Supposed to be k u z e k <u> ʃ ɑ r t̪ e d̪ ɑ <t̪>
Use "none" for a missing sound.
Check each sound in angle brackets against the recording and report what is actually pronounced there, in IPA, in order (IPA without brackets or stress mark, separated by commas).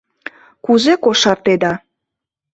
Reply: o, none